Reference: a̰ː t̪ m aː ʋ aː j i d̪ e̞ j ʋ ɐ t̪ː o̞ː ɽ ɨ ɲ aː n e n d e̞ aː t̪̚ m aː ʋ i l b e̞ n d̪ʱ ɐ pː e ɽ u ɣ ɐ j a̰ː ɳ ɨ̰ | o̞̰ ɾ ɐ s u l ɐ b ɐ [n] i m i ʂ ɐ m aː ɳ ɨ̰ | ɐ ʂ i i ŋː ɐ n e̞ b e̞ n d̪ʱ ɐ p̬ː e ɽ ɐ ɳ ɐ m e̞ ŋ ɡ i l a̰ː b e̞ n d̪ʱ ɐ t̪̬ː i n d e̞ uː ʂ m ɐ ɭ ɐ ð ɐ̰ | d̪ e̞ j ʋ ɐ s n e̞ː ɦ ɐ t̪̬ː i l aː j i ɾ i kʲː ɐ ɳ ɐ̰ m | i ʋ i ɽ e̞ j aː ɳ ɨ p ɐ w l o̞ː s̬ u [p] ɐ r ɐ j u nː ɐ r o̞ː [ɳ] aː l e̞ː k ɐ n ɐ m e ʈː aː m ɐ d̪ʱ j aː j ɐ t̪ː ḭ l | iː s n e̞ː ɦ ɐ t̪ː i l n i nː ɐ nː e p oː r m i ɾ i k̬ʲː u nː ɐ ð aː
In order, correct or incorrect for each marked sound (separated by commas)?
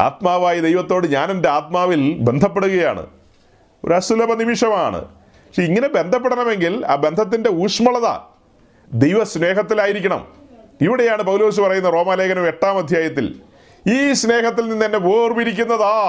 correct, correct, incorrect